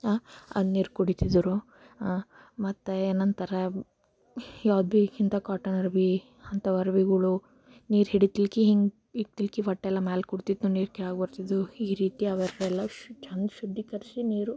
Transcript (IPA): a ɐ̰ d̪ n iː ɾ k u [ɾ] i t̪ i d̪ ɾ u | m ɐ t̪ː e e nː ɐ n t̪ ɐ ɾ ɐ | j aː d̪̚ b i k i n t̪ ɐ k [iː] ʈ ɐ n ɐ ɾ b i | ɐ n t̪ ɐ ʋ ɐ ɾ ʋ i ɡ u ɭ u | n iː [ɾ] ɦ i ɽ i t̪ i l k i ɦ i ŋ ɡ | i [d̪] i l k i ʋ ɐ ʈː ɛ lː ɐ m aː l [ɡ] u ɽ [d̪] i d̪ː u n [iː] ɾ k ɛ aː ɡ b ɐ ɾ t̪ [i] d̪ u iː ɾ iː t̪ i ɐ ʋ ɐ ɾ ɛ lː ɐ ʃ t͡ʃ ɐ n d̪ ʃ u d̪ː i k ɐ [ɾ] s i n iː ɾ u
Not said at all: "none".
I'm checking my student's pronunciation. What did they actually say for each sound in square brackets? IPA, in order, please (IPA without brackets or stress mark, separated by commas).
ɽ, aː, ɾ, t̪, k, t̪, iː, i, ɾ